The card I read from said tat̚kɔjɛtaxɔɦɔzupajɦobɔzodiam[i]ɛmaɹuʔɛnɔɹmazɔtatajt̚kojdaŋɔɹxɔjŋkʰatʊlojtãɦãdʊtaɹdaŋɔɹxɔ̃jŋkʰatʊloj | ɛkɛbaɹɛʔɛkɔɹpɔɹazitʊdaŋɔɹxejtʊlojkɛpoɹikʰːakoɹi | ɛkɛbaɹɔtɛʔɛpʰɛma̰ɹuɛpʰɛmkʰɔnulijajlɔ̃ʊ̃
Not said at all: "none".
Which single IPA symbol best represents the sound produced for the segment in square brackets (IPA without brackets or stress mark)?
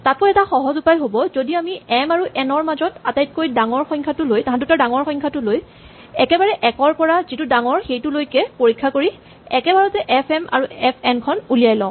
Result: i